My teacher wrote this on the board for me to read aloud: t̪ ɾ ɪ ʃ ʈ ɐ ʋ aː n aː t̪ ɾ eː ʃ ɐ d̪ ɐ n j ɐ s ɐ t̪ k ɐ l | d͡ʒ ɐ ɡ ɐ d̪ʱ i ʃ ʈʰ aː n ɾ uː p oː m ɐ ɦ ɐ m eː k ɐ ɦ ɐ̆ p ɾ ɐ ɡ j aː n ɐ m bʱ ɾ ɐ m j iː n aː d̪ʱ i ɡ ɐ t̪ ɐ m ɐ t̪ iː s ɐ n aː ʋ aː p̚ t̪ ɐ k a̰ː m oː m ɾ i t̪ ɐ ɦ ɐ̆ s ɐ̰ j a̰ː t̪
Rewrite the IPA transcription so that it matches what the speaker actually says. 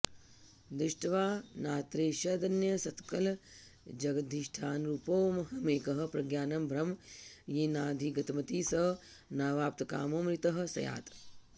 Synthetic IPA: d̪ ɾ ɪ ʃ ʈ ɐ ʋ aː n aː t̪ ɾ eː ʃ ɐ d̪ ɐ n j ɐ s ɐ t̪ k ɐ l | d͡ʒ ɐ ɡ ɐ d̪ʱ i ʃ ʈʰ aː n ɾ uː p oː m ɐ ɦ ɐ m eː k ɐ ɦ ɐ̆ p ɾ ɐ ɡ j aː n ɐ m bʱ ɾ ɐ m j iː n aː d̪ʱ i ɡ ɐ t̪ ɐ m ɐ t̪ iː s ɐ n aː ʋ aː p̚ t̪ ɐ k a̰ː m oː m ɾ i t̪ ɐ ɦ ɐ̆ s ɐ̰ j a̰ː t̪